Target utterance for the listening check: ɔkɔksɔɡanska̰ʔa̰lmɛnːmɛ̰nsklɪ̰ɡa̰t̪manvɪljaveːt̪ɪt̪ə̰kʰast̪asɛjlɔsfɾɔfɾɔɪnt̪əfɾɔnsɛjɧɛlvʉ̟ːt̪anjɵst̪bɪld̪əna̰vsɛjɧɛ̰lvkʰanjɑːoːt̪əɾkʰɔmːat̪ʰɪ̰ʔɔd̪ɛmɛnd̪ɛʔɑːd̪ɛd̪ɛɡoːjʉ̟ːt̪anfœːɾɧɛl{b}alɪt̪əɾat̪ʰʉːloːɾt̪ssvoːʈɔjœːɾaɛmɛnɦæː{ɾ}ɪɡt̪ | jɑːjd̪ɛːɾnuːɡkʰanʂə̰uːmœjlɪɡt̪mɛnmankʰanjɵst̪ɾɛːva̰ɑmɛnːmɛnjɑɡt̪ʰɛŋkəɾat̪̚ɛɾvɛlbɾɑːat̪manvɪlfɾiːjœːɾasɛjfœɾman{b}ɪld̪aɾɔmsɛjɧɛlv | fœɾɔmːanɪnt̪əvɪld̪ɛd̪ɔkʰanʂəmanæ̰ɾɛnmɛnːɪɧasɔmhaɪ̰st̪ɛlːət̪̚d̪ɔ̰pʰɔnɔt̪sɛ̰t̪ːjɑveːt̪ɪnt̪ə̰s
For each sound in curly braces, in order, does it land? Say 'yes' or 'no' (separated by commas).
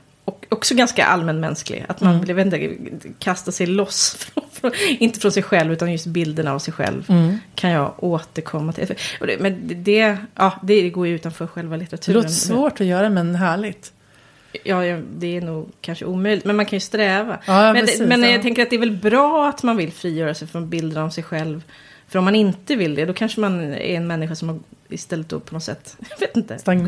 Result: no, no, yes